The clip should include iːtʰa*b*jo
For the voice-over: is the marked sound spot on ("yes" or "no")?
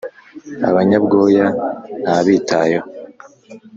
no